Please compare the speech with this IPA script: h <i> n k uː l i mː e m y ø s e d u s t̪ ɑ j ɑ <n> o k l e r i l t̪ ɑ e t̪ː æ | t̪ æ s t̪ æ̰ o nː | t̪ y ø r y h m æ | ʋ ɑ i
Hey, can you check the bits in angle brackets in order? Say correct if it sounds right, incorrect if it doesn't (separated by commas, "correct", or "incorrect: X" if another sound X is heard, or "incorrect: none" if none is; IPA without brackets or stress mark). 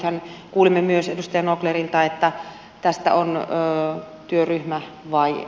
incorrect: æ, correct